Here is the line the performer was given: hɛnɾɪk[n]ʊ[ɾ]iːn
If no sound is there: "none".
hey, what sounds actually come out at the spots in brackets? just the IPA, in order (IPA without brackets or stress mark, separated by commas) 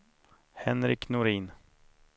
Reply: n, ɾ